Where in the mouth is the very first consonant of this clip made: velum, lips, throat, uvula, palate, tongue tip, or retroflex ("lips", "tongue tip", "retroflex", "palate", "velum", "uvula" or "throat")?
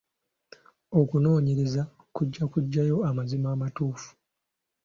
velum